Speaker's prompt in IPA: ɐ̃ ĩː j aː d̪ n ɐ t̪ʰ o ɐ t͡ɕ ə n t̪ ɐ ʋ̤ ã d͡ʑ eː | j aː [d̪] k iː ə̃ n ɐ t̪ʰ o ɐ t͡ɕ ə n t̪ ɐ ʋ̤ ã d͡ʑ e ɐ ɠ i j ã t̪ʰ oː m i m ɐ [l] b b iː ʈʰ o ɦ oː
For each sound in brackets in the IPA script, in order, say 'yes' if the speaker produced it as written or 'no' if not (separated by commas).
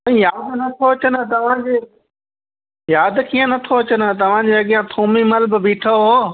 yes, yes